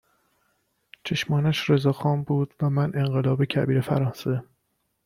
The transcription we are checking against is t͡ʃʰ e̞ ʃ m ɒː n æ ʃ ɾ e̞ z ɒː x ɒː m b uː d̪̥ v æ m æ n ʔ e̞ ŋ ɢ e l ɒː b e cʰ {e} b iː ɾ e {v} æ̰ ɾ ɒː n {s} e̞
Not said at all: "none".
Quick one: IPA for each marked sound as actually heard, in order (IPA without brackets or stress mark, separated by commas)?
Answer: æ, f, s